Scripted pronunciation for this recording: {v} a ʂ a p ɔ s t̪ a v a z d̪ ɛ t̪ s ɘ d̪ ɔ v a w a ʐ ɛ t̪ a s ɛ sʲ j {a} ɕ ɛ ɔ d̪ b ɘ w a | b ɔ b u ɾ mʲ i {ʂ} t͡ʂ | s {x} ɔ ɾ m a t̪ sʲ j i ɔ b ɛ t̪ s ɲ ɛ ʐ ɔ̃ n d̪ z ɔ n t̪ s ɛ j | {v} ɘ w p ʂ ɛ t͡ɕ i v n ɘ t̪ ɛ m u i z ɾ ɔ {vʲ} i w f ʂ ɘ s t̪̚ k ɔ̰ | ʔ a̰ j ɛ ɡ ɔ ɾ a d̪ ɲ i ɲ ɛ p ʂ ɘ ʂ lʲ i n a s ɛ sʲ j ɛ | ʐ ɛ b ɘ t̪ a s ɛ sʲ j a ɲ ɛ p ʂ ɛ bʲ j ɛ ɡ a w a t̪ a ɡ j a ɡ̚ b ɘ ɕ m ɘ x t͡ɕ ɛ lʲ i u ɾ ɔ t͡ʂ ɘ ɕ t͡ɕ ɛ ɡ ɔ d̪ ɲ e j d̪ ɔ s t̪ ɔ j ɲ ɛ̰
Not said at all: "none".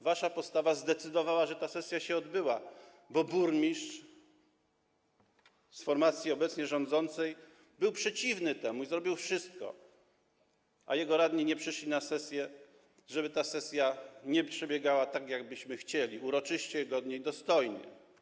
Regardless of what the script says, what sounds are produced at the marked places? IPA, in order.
v, a, ʂ, f, b, bʲ

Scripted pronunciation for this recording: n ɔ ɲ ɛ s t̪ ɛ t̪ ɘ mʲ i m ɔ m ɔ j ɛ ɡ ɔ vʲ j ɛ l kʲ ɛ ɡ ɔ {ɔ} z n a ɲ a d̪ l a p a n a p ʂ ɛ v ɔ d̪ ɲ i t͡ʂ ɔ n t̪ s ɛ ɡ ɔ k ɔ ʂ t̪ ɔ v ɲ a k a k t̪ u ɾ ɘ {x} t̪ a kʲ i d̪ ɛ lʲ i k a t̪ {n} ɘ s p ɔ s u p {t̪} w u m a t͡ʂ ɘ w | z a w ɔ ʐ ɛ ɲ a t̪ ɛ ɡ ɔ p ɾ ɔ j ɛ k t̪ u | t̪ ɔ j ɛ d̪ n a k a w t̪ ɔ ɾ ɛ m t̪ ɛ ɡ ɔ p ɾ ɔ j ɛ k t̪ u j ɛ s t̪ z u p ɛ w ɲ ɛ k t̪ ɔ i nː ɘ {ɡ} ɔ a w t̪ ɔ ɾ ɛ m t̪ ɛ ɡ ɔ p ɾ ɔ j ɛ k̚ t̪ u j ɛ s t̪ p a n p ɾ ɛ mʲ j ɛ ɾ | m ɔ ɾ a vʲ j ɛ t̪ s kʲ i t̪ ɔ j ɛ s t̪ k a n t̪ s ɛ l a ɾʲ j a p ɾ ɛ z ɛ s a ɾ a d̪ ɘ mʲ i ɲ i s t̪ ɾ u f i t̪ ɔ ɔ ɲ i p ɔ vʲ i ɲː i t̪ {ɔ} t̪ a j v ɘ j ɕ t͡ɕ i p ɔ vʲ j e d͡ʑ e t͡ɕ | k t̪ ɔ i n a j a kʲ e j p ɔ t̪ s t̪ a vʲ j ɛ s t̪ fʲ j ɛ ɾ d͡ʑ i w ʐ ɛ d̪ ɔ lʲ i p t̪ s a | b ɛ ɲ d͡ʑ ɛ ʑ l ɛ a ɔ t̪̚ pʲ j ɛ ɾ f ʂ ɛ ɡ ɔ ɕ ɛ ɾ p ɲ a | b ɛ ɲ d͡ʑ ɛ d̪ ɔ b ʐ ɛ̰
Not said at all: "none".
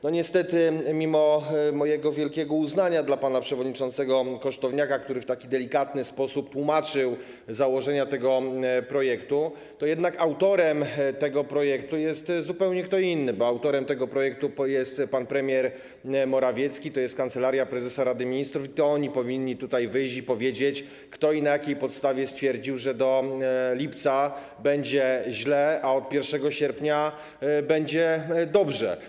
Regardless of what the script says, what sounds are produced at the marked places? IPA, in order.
u, f, n, t̪, b, u

